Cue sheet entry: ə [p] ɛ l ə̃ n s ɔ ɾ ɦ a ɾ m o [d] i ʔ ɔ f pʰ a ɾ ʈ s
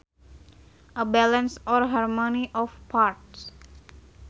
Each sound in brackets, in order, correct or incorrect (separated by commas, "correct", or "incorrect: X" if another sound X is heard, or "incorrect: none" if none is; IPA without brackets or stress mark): incorrect: b, incorrect: n